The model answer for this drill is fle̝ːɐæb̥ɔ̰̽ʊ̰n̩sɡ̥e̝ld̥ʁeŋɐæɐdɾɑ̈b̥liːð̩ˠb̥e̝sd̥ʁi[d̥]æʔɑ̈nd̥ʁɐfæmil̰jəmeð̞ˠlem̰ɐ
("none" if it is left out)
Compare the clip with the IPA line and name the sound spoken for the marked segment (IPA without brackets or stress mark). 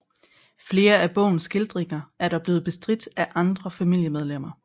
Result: d̥